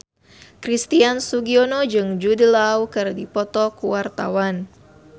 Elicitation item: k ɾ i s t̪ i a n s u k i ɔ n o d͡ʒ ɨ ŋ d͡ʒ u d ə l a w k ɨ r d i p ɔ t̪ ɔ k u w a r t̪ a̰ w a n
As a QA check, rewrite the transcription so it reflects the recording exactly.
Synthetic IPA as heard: k ɾ i s t̪ i a n s u ɡ i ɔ n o d͡ʒ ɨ ŋ d͡ʒ u d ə l a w k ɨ r d i p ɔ t̪ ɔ k u w a r t̪ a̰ w a n

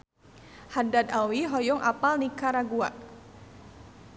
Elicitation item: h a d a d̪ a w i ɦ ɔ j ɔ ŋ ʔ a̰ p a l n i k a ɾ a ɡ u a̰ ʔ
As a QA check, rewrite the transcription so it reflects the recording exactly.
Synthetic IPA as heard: h a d a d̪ a w i ɦ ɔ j ɔ ŋ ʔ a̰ p a l n i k a ɾ a ɡ u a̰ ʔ

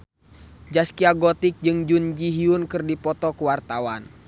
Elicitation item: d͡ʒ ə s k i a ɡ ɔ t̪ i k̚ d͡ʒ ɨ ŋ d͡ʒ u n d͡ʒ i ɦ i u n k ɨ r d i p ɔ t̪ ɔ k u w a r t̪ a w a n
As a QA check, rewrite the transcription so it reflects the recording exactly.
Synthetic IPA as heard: d͡ʒ a s k i a ɡ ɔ t̪ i k̚ d͡ʒ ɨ ŋ d͡ʒ u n d͡ʒ i ɦ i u n k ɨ r d i p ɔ t̪ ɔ k u w a r t̪ a w a n

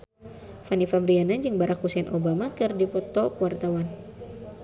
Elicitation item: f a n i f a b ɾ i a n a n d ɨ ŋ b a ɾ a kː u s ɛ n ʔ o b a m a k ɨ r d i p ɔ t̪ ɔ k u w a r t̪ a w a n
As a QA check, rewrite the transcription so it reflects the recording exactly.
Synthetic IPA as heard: f a n i f a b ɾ i a n a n d͡ʒ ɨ ŋ b a ɾ a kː u s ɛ n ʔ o b a m a k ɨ r d i p ɔ t̪ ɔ k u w a r t̪ a w a n

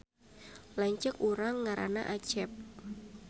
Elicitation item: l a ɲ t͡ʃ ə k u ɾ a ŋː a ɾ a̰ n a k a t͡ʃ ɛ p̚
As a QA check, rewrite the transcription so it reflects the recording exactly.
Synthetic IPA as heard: l a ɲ t͡ʃ ə k u ɾ a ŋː a ɾ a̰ n a ʔ a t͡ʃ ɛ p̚

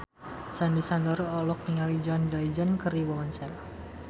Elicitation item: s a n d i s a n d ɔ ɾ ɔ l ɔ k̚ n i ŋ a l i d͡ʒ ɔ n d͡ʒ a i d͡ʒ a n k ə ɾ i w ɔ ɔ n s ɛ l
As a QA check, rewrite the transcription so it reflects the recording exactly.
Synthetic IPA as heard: s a n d i s a n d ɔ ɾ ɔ l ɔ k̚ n i ŋ a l i d͡ʒ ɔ n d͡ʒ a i d͡ʒ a n k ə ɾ i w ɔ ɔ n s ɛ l

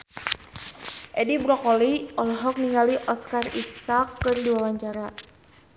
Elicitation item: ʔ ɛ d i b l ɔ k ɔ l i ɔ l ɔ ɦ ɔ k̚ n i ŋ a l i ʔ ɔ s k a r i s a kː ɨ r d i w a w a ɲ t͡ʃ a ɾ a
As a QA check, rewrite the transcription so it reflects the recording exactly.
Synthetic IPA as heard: ʔ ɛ d i b ɾ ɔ k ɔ l i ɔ l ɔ ɦ ɔ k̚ n i ŋ a l i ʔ ɔ s k a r i s a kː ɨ r d i w a w a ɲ t͡ʃ a ɾ a

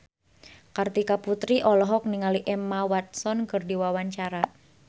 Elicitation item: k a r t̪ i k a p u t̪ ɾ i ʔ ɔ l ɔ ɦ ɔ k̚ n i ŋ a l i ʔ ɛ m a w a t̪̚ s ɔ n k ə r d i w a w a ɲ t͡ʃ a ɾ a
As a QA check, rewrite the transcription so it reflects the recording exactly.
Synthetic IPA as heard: k a r t̪ i k a p u t̪ ɾ i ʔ ɔ l ɔ ɦ ɔ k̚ n i ŋ a l i ʔ ɛ m a w a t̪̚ s ɔ n k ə r d i w a w a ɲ t͡ʃ a ɾ a

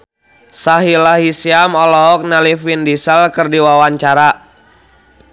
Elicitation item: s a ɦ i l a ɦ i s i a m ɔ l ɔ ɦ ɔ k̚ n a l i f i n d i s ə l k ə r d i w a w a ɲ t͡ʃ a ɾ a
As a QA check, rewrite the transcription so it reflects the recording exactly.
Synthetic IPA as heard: s a ɦ i l a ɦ i s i a m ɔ l ɔ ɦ ɔ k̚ n a l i f i n d i s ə l k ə r d i w a w a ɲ t͡ʃ a ɾ a

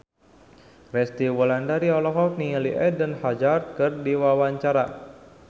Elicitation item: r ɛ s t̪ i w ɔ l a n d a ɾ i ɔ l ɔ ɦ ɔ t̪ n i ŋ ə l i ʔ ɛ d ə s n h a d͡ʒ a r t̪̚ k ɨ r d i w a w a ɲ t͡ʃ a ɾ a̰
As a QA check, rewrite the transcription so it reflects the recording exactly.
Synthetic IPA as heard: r ɛ s t̪ i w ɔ l a n d a ɾ i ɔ l ɔ ɦ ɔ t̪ n i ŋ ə l i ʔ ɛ d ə n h a d͡ʒ a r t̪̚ k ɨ r d i w a w a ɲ t͡ʃ a ɾ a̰

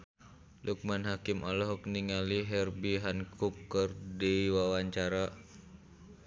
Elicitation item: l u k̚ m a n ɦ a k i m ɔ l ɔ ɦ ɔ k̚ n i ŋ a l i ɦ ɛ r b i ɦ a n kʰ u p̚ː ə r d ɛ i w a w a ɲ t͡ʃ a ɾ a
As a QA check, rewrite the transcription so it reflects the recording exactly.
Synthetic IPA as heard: l u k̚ m a n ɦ a k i m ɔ l ɔ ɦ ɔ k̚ n i ŋ a l i ɦ ɛ r b i ɦ a n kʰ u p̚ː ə r d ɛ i w a w a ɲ t͡ʃ a ɾ a

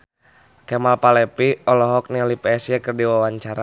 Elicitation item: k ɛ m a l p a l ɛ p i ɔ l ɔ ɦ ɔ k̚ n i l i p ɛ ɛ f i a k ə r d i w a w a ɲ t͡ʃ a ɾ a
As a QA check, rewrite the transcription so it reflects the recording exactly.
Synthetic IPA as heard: k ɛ m a l p a l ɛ p i ɔ l ɔ ɦ ɔ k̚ n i l i p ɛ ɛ s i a k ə r d i w a w a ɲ t͡ʃ a ɾ a

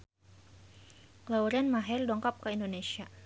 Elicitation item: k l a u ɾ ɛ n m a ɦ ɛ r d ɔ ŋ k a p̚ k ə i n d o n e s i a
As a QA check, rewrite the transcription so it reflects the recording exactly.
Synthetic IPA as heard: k l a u ɾ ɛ n m a ɦ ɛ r d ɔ ŋ k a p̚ k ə i n d o n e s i a

